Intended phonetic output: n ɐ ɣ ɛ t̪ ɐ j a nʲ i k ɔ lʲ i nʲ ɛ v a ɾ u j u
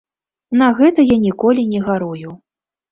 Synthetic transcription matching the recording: n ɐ ɣ ɛ t̪ ɐ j a nʲ i k ɔ lʲ i nʲ ɛ ɣ a ɾ u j u